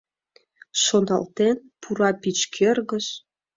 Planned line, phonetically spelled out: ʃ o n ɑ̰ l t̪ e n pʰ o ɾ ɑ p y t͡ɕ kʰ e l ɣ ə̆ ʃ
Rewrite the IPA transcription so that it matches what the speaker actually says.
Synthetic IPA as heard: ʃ o n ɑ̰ l t̪ e n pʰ u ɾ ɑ p i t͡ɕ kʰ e r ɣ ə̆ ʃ